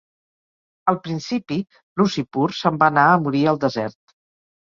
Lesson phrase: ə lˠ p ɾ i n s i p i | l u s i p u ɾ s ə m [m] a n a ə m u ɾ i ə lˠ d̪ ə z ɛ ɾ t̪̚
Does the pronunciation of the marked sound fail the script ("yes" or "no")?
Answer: yes